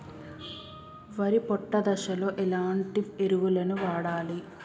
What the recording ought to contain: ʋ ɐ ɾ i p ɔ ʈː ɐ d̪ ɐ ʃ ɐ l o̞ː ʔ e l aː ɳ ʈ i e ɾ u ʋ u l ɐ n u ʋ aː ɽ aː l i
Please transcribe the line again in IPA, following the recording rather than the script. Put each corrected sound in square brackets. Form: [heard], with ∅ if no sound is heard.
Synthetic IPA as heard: ʋ ɐ ɾ i p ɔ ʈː ɐ d̪ ɐ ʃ ɐ l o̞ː ʔ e l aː ɳ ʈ i e ɾ u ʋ u l ɐ n u ʋ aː ɽ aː l i